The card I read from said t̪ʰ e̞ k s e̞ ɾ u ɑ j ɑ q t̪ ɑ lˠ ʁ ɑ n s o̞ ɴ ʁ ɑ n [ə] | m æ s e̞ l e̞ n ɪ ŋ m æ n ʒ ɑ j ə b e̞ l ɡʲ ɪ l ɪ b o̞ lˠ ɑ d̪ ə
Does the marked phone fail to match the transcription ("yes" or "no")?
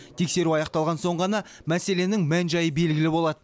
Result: yes